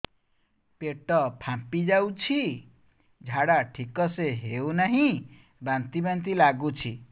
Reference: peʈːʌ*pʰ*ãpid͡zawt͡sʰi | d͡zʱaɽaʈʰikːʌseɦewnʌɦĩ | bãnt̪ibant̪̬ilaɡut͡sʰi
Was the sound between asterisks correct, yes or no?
yes